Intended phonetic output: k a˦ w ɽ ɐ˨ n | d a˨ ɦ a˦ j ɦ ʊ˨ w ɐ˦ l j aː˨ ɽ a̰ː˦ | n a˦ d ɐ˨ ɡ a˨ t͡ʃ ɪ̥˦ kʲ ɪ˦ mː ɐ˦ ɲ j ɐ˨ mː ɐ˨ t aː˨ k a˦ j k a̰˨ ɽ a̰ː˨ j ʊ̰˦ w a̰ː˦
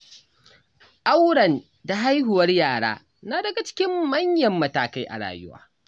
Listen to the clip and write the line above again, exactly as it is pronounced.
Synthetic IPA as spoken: ʔ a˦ w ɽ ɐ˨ n | d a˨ ɦ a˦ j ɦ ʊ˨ w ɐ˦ r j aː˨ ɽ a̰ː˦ | n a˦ d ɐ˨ ɡ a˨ t͡ʃ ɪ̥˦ kʲ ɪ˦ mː ɐ˦ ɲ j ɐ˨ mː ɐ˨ t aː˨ k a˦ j ʔ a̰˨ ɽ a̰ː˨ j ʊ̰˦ w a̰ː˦